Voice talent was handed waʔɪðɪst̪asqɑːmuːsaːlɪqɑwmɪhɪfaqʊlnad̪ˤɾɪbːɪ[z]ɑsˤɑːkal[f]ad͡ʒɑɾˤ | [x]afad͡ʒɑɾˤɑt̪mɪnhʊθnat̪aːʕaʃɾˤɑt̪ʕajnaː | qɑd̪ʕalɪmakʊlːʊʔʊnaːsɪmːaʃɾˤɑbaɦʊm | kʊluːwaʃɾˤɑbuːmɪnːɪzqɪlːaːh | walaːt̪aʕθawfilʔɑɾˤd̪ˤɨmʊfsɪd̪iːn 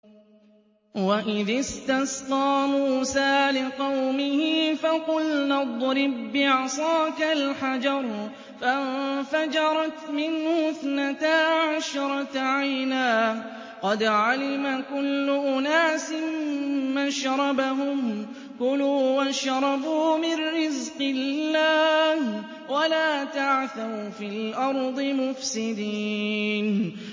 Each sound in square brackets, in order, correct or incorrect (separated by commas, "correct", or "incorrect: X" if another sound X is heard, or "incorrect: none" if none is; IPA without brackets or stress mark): incorrect: ʕ, incorrect: ħ, incorrect: f